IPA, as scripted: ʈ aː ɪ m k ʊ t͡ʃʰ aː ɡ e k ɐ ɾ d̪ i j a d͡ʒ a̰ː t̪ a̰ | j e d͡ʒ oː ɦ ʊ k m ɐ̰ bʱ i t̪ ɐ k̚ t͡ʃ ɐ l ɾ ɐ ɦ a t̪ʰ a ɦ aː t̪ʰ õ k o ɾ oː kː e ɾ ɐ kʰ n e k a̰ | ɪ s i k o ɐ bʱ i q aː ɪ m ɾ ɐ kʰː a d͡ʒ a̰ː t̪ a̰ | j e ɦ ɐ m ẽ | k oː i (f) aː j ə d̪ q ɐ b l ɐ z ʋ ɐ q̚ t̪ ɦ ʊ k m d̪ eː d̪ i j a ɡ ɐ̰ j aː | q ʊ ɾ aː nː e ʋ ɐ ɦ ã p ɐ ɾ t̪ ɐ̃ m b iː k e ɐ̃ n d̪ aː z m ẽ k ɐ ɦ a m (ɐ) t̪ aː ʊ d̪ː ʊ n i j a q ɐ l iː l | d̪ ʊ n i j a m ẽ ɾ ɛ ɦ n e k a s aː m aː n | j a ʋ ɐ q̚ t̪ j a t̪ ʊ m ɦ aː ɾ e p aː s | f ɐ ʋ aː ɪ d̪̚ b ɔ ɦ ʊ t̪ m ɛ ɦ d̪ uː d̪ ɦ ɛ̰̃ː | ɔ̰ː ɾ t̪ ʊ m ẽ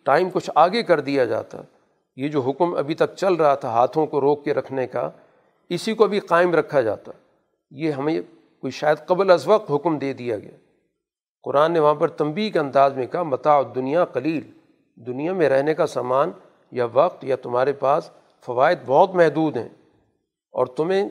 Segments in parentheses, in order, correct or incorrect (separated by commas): incorrect, correct